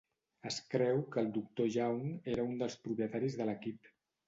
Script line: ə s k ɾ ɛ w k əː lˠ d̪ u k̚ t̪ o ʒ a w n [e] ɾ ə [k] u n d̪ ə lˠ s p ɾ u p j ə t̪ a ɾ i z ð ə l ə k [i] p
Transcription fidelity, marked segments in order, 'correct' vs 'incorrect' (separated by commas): correct, incorrect, correct